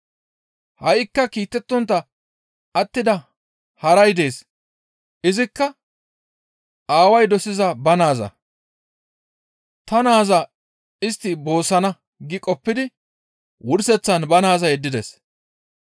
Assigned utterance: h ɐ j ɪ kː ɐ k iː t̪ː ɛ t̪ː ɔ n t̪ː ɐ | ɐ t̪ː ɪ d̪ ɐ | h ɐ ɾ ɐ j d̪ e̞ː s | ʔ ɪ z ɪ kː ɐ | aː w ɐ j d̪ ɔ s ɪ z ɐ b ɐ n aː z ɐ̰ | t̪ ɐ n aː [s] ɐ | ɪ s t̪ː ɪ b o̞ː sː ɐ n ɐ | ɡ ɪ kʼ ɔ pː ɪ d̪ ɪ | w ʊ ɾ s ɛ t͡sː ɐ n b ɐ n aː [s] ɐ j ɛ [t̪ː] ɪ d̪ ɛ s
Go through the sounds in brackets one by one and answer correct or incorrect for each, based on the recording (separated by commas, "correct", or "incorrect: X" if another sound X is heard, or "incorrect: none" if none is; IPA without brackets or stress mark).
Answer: incorrect: z, incorrect: z, incorrect: d̪ː